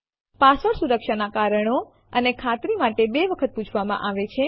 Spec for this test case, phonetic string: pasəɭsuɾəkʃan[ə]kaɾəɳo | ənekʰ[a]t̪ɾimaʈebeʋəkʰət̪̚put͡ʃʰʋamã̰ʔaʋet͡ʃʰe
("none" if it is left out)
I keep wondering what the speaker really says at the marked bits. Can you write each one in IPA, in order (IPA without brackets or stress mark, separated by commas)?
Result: a, a